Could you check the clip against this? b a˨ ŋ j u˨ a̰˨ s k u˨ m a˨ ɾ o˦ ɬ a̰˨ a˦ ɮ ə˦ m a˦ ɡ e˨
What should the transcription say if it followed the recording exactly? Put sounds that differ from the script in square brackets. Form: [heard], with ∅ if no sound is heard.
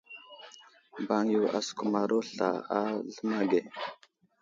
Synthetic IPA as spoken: b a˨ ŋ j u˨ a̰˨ s k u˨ m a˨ ɾ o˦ ɬ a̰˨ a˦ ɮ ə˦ m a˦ ɡ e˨